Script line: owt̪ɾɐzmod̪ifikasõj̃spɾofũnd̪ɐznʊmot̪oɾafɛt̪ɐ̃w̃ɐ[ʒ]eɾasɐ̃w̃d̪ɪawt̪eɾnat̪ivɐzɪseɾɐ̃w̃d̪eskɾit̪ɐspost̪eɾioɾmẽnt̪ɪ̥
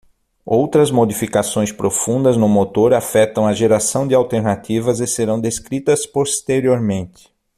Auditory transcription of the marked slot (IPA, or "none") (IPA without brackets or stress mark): ʒ